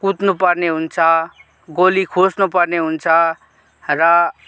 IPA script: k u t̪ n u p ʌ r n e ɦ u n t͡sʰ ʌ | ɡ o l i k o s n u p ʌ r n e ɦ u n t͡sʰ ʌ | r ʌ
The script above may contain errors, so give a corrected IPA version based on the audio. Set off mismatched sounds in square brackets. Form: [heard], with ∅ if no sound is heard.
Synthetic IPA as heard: k u t̪ n u p ʌ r n e ɦ u n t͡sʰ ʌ | ɡ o l i [kʰ] o s n u p ʌ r n e ɦ u n t͡sʰ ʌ | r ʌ